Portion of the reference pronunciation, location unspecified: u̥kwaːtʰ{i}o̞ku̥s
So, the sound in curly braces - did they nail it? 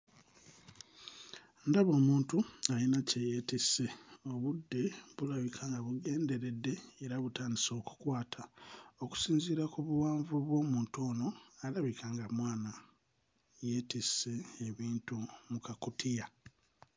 no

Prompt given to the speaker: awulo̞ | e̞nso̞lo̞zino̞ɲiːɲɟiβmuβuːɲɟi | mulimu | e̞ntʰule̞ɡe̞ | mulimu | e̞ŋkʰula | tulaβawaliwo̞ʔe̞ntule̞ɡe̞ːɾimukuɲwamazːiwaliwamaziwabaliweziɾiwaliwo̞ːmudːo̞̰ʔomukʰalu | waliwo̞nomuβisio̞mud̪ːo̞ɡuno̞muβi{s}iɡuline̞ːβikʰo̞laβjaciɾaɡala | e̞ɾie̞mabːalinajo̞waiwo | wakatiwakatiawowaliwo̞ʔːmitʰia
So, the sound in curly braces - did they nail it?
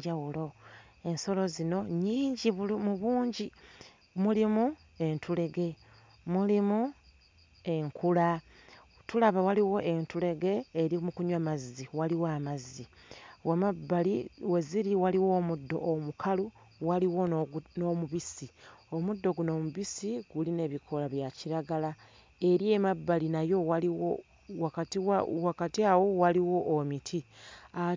yes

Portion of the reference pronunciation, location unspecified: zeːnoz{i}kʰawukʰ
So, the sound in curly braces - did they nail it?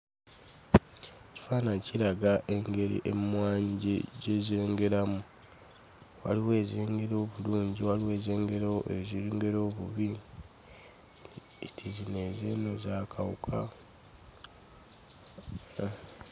no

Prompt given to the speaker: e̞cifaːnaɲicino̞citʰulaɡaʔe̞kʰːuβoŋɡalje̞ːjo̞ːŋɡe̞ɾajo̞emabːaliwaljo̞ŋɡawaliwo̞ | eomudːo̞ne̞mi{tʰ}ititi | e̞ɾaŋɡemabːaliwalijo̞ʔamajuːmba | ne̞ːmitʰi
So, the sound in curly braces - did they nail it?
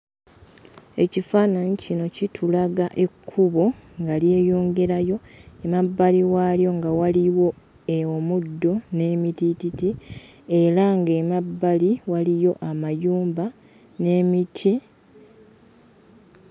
no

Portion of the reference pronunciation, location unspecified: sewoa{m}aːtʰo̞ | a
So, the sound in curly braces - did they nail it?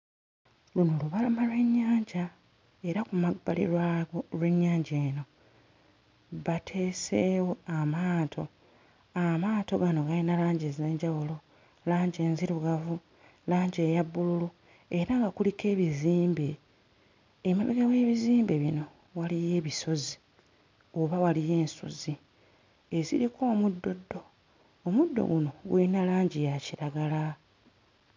yes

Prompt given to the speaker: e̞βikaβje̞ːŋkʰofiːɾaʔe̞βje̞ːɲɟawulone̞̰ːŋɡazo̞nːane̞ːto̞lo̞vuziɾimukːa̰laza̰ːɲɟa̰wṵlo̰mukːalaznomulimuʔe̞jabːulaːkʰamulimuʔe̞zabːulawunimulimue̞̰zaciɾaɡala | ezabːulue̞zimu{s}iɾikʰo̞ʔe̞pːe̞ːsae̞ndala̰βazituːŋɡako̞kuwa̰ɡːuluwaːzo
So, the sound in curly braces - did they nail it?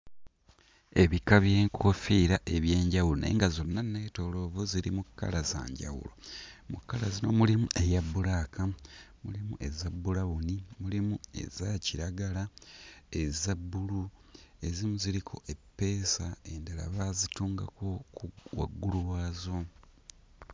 no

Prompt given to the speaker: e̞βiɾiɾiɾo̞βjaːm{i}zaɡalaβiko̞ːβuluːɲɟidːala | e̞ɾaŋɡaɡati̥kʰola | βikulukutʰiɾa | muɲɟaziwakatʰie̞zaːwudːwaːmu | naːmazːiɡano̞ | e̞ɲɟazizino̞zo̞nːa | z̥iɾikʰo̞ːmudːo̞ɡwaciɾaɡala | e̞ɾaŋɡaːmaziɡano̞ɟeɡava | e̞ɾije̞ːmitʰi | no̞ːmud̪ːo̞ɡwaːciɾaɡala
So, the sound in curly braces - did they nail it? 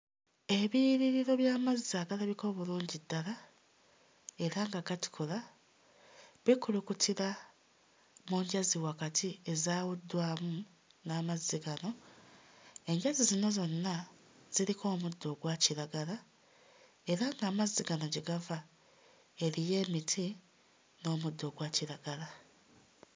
no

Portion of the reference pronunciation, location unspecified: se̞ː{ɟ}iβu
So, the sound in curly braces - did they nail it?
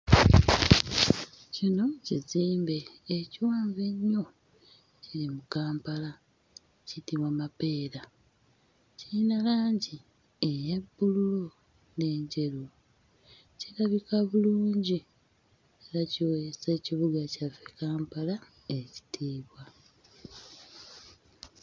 no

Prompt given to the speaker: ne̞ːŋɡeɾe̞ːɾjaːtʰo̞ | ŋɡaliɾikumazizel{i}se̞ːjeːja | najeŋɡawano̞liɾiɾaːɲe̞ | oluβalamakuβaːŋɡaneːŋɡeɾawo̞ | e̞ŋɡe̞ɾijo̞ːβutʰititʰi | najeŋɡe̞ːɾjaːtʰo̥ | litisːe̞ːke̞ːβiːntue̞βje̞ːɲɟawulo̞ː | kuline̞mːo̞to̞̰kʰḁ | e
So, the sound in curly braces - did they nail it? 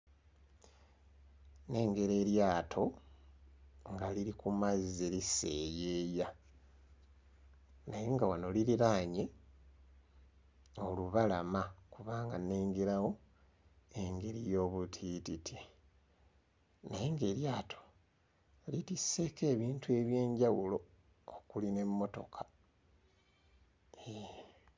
yes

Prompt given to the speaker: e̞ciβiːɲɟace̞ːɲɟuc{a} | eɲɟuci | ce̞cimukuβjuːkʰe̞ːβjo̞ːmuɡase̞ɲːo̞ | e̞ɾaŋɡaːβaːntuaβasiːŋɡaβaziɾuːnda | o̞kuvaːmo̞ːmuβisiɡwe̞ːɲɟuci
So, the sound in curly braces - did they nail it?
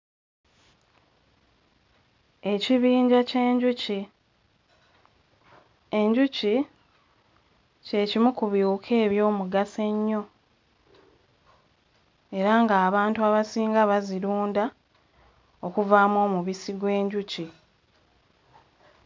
no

